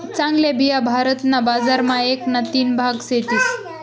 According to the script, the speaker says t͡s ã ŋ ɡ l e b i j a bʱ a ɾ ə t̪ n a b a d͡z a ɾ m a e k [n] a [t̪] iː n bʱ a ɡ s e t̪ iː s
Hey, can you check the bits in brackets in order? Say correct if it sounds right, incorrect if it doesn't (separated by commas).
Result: correct, correct